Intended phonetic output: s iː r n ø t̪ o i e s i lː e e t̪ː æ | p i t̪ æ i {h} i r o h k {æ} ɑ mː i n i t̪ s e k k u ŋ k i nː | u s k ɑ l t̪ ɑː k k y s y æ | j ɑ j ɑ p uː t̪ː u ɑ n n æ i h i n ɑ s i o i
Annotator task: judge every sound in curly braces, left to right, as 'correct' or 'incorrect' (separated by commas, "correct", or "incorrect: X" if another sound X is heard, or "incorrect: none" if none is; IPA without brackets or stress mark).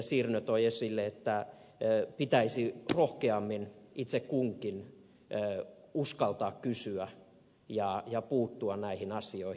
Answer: incorrect: s, incorrect: e